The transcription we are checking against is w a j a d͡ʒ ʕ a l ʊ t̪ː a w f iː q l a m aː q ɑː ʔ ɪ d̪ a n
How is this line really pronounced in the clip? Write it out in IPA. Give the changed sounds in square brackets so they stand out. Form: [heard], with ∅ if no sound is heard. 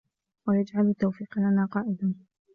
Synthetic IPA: w a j a d͡ʒ ʕ a l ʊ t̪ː a w f iː q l a [n] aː q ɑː ʔ ɪ d̪ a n